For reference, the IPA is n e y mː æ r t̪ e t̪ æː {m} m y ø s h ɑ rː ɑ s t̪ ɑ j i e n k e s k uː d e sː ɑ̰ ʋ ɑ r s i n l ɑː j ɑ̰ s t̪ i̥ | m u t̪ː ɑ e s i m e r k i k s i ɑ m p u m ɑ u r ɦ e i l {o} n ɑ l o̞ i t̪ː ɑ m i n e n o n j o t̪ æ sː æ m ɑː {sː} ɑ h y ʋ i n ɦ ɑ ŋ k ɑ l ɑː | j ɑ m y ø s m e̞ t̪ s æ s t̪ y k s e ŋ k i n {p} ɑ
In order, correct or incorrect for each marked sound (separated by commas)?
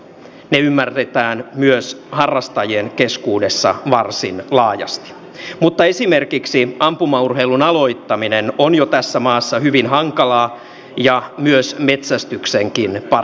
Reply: incorrect, incorrect, correct, correct